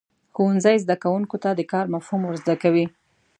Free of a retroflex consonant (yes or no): yes